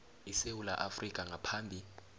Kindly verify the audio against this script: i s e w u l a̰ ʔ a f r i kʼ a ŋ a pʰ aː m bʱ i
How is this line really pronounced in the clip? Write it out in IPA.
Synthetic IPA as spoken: i s e w u l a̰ ʔ a f r i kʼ a ŋ a pʰ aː m bʱ i